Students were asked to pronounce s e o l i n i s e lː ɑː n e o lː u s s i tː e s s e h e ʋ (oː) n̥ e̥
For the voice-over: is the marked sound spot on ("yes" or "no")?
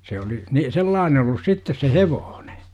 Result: yes